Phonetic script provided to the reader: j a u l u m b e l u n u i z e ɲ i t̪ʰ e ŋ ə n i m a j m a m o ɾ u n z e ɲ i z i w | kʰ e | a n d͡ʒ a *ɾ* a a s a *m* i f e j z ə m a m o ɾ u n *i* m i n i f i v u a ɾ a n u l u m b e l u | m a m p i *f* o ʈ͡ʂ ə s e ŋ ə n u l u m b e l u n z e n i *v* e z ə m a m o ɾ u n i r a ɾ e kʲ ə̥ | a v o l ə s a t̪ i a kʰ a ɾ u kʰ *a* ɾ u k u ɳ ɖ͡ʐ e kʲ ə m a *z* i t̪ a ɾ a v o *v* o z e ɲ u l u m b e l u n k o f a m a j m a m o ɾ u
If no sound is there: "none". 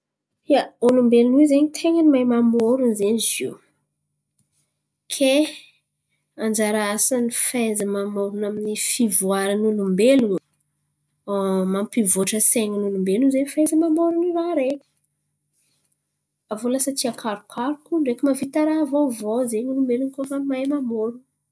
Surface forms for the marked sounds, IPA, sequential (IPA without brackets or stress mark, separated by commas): ɾ, n, a, v, f, a, v, v